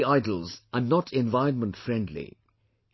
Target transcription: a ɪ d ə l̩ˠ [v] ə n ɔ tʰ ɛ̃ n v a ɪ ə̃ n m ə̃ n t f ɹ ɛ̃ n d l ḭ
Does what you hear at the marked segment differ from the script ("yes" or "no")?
yes